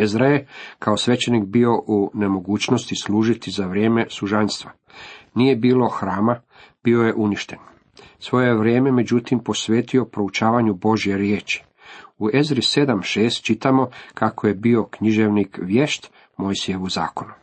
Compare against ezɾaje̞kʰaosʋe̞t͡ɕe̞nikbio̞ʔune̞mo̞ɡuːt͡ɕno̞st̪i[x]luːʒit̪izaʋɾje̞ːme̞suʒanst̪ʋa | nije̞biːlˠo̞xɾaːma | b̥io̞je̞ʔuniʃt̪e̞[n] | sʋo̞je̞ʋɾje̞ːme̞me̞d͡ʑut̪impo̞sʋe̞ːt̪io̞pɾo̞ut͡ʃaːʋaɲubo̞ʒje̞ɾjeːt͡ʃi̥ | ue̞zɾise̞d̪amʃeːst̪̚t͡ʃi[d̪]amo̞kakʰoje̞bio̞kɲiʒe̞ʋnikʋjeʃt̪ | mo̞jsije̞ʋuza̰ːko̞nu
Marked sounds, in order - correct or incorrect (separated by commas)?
incorrect, correct, incorrect